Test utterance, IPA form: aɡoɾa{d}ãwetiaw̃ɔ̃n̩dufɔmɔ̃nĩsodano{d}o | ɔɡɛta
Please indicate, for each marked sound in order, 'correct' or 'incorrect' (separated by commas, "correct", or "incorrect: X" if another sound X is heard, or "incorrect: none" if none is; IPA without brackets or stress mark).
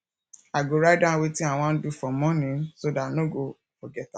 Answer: correct, incorrect: ɡ